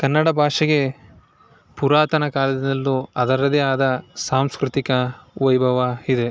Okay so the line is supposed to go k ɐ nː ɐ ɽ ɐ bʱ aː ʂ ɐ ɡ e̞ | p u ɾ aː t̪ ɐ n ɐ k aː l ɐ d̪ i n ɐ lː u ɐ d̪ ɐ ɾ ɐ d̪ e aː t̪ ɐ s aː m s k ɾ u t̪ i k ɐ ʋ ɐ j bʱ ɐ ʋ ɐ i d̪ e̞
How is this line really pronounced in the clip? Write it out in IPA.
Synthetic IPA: k ɐ nː ɐ ɽ ɐ bʱ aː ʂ ɐ ɡ e̞ | p u ɾ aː t̪ ɐ n ɐ k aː l ɐ d̪ i n ɐ lː u ɐ d̪ ɐ ɾ ɐ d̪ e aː d̪ ɐ s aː m s k ɾ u t̪ i k ɐ ʋ ɐ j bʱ ɐ ʋ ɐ i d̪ e̞